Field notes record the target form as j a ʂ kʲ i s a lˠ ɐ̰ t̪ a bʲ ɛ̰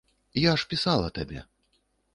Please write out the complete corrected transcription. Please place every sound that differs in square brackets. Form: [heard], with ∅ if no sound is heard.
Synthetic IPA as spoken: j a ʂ [pʲ] i s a lˠ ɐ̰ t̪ a bʲ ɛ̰